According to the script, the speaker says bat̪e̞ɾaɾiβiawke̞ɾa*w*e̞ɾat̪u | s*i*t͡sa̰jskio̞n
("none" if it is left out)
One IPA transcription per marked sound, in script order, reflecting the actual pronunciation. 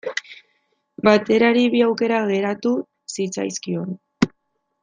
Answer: ɣ, i

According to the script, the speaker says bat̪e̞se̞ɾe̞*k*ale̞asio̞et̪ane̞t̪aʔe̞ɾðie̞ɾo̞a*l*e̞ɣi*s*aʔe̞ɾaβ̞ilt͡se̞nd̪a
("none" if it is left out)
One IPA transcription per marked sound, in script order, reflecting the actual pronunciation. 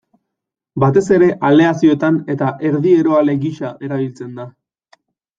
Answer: ʔ, l, ʃ

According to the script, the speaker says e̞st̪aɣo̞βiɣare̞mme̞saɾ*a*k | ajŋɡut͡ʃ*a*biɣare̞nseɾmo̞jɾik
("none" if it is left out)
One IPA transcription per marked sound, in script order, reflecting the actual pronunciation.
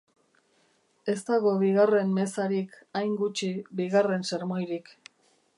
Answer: i, i

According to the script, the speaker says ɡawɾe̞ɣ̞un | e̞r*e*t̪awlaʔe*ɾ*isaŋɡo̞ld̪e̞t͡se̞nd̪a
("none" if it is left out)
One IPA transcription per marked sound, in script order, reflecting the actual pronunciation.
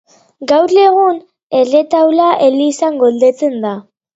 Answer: e, l

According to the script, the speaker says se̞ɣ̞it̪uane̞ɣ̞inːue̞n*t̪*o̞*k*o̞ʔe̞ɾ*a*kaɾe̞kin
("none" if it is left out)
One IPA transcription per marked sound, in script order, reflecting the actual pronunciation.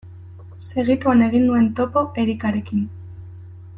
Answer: t̪, p, i

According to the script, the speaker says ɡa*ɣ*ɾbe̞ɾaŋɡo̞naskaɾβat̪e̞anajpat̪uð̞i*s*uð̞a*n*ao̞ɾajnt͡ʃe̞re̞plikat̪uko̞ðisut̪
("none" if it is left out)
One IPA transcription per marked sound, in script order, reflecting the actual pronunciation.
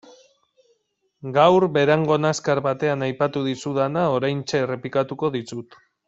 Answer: w, s, n

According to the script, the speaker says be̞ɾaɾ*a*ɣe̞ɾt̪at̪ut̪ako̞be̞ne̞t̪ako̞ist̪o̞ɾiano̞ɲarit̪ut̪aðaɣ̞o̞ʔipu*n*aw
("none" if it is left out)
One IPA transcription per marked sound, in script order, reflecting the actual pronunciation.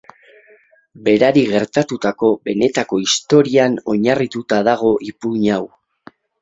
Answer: i, ɲ

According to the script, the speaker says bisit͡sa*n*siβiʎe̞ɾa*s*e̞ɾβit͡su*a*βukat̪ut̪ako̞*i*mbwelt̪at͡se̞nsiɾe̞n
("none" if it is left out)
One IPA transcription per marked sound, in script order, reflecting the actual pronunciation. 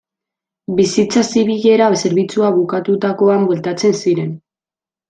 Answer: none, s, a, a

